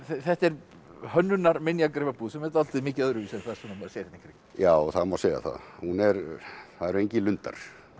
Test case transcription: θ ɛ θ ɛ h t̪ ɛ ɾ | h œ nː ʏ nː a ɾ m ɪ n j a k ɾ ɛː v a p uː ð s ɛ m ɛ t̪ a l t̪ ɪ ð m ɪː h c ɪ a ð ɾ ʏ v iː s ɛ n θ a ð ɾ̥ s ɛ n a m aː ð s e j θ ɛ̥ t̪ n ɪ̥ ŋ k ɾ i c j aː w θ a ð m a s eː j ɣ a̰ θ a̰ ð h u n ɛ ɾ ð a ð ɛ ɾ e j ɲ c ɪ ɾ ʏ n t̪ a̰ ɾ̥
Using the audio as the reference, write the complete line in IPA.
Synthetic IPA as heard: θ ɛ θ ɛ h t̪ ɛ ɾ | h œ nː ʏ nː a ɾ m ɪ n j a k ɾ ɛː v a p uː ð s ɛ m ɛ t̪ a l t̪ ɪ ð m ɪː c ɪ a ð ɾ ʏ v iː s ɛ n θ a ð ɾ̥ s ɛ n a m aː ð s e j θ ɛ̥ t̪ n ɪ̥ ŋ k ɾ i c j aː w θ a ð m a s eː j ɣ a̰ θ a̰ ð h u n ɛ ɾ θ a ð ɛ ɾ e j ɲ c ɪ l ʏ n t̪ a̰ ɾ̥